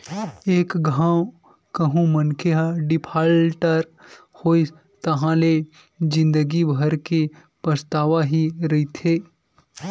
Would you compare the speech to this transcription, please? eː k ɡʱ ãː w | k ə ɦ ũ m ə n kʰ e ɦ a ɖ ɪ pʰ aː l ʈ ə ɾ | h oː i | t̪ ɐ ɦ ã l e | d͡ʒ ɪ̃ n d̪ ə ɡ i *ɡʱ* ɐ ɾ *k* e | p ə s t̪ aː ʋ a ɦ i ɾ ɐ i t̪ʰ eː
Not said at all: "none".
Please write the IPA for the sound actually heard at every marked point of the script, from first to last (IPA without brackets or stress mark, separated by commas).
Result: bʱ, k